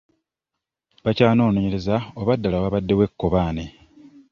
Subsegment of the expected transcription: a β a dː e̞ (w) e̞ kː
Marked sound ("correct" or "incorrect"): correct